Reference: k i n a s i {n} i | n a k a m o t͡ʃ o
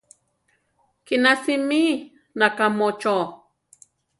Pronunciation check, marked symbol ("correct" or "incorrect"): incorrect